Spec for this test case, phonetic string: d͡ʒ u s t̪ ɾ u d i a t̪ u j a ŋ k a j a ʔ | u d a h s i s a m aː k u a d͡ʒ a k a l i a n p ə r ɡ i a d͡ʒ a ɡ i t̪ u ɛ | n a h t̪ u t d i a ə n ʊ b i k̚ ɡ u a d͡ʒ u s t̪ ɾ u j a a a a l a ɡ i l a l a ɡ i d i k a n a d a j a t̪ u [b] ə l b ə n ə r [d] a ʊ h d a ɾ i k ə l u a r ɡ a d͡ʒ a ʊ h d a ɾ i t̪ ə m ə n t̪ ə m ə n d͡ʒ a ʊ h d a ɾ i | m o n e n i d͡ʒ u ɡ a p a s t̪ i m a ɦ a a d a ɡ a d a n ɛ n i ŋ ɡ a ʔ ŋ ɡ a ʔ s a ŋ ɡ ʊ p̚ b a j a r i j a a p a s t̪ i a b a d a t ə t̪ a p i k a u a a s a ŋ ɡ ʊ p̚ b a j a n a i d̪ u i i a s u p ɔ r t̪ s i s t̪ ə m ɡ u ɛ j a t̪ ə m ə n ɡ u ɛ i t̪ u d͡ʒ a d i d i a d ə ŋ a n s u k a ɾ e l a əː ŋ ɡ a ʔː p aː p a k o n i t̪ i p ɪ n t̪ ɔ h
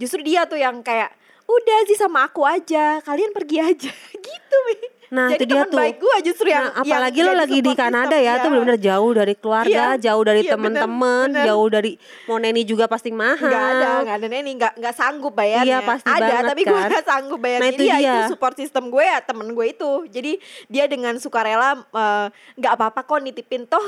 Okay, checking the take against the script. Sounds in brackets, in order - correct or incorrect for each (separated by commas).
correct, incorrect